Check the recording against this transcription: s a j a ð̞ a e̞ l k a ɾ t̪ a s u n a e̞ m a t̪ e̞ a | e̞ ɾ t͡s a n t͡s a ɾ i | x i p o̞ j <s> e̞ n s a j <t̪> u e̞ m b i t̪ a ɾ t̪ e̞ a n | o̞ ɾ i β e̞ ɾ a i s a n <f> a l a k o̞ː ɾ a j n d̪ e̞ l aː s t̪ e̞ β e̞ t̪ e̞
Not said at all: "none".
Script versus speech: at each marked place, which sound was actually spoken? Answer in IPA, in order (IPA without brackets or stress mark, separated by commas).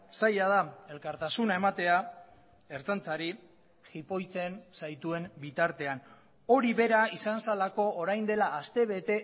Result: t͡s, t̪, s